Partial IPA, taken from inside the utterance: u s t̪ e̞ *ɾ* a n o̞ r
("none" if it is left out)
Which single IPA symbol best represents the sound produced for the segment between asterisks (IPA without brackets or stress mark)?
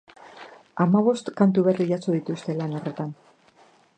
l